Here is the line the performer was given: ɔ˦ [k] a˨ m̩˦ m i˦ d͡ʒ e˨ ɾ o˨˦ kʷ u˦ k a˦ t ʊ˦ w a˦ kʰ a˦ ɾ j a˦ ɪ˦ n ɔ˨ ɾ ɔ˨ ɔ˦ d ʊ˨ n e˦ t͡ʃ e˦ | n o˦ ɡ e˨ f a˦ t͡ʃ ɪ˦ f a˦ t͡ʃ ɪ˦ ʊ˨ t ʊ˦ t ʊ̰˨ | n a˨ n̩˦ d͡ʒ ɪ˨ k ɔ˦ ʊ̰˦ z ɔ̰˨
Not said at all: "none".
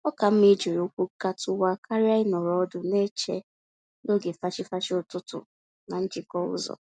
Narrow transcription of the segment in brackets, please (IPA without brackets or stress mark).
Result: k